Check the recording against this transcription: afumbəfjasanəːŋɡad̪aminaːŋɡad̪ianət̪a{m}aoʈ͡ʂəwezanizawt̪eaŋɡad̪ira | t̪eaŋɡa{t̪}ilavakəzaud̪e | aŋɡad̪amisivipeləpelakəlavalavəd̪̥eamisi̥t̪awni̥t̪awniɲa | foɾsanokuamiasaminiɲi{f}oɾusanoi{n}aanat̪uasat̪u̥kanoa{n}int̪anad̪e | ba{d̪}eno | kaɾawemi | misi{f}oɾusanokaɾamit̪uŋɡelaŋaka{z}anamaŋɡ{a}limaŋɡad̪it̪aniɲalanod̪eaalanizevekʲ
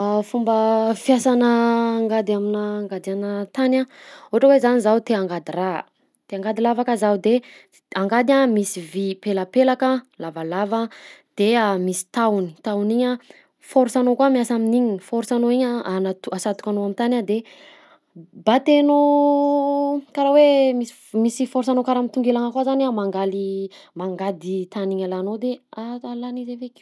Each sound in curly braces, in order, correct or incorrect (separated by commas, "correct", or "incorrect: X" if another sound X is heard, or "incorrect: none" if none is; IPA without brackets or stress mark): incorrect: n, incorrect: d̪, correct, incorrect: ɲ, incorrect: m, incorrect: t̪, correct, correct, correct